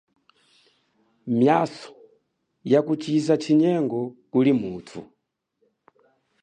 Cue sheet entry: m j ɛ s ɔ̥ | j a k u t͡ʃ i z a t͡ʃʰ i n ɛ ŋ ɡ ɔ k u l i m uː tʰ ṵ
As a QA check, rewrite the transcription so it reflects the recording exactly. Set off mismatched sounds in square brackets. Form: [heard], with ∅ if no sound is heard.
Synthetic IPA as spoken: m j [a] s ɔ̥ | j a k u t͡ʃ i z a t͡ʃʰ i [ɲ] ɛ ŋ ɡ ɔ k u l i m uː tʰ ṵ